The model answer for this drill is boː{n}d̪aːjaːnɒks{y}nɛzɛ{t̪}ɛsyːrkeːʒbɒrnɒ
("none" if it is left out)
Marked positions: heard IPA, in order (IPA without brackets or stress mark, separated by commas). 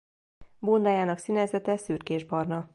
n, i, t̪